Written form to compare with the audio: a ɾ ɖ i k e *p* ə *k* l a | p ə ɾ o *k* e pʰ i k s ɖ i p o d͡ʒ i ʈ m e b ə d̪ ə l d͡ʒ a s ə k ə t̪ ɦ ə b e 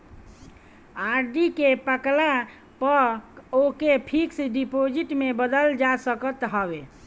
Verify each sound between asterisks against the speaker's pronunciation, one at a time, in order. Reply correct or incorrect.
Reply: correct, correct, correct

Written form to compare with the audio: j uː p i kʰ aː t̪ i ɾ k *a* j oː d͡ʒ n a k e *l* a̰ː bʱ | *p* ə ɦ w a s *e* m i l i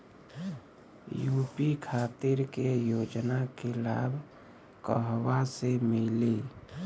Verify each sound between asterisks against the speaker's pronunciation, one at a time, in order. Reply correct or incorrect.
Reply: incorrect, correct, incorrect, correct

